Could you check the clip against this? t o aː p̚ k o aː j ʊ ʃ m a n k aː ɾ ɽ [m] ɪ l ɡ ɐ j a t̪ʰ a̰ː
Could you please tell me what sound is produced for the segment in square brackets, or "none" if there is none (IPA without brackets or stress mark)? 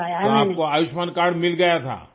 m